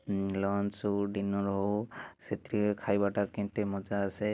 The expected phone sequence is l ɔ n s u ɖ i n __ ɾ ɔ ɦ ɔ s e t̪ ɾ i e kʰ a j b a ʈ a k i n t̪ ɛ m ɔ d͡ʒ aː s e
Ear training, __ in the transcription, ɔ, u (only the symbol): ɔ